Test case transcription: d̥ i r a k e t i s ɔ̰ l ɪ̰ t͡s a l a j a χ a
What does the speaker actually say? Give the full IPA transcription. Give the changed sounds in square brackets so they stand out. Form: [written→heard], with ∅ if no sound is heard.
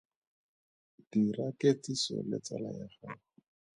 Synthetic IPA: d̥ i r a k e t i s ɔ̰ l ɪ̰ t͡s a l a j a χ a